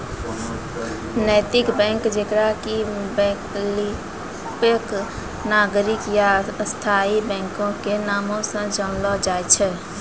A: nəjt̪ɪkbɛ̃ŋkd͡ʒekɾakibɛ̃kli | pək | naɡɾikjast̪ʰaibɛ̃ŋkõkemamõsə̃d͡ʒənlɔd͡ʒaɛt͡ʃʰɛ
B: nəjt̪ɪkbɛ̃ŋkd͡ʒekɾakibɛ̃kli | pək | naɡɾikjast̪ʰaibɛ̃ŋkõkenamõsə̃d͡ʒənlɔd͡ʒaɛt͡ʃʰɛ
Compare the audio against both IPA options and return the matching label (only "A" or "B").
B